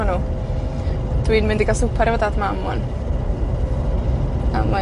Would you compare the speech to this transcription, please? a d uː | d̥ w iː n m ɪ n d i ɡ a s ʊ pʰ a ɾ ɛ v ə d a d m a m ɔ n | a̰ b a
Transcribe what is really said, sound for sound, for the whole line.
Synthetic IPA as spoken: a n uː | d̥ w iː n m ɪ n d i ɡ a s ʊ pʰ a ɾ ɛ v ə d a d m a m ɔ n | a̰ m a